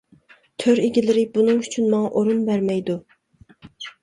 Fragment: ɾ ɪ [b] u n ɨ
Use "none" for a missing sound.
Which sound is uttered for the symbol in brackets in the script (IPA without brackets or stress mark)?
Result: b